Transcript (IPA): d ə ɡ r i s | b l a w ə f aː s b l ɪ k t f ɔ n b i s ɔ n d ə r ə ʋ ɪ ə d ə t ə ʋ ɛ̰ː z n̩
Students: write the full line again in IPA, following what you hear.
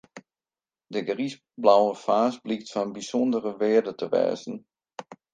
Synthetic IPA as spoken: d ə ɡ r i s | b l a w ə f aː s b l i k t f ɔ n b i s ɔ n d ə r ə ʋ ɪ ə d ə t ə ʋ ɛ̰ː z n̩